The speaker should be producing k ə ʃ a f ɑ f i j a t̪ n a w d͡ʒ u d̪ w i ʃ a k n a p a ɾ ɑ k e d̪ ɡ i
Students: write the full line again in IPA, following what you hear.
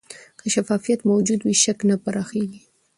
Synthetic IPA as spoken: k ə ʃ a f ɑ f i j a t̪ m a w d͡ʒ u d̪ w i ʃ a k n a p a ɾ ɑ x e ɡ i